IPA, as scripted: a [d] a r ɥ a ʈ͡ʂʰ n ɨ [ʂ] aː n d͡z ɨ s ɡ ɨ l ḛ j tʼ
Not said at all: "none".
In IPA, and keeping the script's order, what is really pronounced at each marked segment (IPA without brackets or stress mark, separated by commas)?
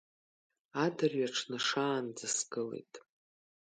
d, ʂ